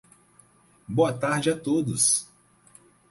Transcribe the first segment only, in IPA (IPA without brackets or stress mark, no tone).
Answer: b